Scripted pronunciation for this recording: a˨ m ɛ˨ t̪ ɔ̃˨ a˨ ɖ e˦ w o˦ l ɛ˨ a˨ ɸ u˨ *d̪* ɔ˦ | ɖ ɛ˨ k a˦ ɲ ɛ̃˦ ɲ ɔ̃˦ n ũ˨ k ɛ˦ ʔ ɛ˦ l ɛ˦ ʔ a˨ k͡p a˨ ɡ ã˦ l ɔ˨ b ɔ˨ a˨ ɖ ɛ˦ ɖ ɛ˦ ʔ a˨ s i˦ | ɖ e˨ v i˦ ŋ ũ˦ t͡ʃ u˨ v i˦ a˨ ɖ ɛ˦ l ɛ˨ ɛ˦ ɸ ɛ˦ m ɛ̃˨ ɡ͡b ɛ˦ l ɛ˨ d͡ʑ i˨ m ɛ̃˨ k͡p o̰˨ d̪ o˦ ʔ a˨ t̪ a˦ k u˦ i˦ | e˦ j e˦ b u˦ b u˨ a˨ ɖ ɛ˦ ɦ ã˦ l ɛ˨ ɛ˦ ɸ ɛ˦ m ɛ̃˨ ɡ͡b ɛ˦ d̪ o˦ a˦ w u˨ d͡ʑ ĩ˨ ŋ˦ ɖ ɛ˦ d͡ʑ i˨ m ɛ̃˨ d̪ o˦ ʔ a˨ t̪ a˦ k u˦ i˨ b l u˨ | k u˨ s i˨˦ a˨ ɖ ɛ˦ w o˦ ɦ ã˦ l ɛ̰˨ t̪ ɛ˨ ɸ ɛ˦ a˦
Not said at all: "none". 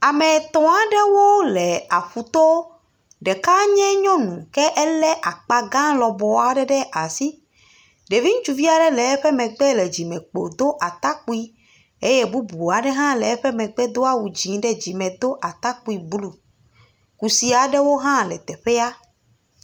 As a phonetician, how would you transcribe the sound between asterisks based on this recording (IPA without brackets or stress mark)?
t̪